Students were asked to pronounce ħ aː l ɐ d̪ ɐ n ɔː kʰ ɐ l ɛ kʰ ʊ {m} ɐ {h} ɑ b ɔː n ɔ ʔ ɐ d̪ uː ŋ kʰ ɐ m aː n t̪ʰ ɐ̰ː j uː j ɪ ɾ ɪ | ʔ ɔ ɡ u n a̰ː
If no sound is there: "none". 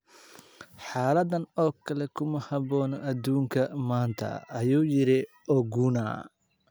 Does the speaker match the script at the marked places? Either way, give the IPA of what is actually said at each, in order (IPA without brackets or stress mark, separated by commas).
m, h